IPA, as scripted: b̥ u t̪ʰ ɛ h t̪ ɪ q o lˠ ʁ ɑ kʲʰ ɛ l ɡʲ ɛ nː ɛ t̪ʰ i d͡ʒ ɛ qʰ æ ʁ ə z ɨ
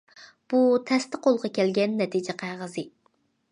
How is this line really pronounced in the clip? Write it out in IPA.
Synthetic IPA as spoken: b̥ u t̪ʰ ɛ s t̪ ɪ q o lˠ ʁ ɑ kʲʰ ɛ l ɡʲ ɛ nː ɛ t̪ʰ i d͡ʒ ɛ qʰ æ ʁ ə z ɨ